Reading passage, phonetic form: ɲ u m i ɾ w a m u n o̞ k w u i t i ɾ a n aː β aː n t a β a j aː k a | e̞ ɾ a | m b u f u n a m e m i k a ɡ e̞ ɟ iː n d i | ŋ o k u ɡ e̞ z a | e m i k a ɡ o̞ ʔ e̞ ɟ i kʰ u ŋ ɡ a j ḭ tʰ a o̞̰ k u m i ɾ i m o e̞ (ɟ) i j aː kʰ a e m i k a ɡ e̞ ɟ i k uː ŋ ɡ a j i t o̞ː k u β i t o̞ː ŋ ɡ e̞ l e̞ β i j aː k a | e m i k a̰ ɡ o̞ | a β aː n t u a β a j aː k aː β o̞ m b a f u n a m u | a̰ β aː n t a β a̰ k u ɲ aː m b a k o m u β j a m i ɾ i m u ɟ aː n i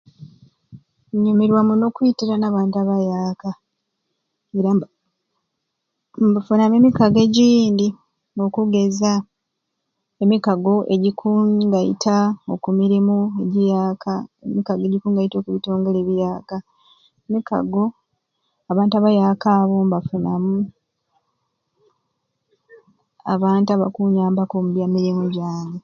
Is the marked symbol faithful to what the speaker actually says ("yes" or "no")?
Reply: yes